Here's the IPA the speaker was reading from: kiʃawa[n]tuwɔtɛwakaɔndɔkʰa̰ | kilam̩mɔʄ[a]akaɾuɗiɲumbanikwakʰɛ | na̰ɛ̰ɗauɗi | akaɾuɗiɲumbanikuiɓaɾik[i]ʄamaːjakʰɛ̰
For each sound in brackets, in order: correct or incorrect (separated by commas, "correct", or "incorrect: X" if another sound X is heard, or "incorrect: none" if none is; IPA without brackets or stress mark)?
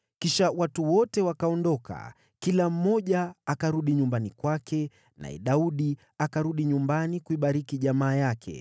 incorrect: none, correct, correct